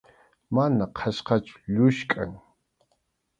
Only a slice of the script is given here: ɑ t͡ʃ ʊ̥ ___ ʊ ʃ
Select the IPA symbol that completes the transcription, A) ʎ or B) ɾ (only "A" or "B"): A